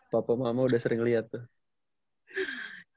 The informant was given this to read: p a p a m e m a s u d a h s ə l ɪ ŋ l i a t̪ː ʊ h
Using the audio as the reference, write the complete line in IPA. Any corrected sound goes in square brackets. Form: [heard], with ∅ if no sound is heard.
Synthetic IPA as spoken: p a p a m [a] m a [∅] u d a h s ə [ɾ] ɪ ŋ l i a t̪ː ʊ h